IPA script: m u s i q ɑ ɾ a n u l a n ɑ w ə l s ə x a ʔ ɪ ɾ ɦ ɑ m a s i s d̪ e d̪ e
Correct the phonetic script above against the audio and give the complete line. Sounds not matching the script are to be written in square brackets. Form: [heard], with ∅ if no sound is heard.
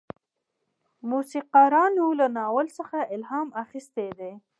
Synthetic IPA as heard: m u s i q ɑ ɾ [ɑ] n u l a n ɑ w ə l s ə x a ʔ ɪ [l] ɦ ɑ m a [x] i s [t̪] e d̪ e